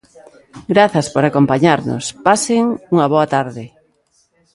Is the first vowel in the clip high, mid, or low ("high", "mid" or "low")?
low